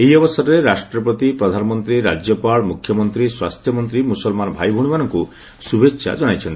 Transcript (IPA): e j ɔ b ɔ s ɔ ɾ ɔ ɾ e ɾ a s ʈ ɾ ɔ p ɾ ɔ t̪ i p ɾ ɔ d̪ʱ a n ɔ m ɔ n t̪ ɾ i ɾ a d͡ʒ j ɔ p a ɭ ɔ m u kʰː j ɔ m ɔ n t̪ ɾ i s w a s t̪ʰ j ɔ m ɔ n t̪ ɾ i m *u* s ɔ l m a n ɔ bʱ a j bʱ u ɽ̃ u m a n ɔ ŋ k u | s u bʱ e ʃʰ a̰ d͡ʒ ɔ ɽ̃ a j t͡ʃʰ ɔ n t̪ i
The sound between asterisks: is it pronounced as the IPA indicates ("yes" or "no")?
yes